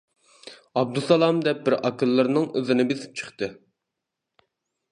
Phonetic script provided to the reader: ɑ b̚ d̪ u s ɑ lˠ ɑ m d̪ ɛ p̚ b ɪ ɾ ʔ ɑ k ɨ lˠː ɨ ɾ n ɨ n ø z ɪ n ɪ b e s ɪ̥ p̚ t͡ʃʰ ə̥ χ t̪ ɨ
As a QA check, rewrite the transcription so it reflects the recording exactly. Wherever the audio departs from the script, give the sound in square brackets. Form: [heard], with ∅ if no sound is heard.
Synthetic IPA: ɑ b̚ d̪ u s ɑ lˠ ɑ m d̪ ɛ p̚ b ɪ ɾ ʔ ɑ k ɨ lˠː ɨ ɾ n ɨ [ŋ] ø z ɪ n ɪ b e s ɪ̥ p̚ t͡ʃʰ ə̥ χ t̪ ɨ

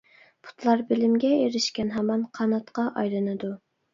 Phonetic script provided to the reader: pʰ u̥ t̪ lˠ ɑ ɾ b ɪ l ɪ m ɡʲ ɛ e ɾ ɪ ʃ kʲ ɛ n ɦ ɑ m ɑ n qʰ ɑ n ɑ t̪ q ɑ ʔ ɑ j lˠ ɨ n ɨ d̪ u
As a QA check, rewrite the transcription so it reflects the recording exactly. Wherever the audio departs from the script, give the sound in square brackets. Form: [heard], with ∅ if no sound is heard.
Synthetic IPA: pʰ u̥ t̪ lˠ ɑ ɾ b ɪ l ɪ m ɡʲ ɛ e ɾ ɪ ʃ kʲ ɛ n ɦ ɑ m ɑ n qʰ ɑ n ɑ t̪ q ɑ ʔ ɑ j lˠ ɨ n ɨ d̪ u

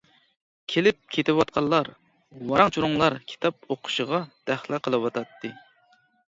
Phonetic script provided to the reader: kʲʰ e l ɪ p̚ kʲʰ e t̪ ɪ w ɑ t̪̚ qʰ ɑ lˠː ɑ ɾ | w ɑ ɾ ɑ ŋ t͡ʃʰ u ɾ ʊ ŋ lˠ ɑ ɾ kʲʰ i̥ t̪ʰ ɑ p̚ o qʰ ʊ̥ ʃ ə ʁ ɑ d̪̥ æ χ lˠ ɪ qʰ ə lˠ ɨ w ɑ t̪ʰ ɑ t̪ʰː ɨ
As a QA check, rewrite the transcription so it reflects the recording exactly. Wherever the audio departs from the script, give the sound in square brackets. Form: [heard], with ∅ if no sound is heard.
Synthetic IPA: kʲʰ e l ɪ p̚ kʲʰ e t̪ ɪ w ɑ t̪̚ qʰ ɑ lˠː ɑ ɾ | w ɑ ɾ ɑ ŋ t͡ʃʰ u ɾ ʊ ŋ lˠ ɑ ɾ kʲʰ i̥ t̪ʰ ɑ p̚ o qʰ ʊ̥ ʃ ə ʁ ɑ d̪̥ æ χ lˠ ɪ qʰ ə lˠ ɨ w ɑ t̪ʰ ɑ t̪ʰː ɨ

